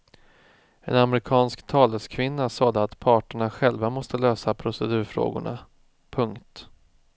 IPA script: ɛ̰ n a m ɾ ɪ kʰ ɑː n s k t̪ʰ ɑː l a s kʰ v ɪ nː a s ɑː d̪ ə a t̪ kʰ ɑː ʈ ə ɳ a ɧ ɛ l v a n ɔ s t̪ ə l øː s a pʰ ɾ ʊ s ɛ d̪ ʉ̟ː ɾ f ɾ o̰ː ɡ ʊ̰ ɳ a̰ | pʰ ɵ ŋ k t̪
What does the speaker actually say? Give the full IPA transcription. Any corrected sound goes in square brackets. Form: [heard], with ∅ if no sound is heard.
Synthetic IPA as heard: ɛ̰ n a m ɾ ɪ kʰ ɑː n s k t̪ʰ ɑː l [ə] s kʰ v ɪ nː a s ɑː d̪ ə a t̪ [pʰ] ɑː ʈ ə ɳ a ɧ ɛ l v a [m] ɔ s t̪ ə l øː s a pʰ ɾ ʊ s ɛ d̪ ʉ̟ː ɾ f ɾ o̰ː ɡ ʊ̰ ɳ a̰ | pʰ ɵ ŋ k t̪